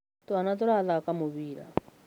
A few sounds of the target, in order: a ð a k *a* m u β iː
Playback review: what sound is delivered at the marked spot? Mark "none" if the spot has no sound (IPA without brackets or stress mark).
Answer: a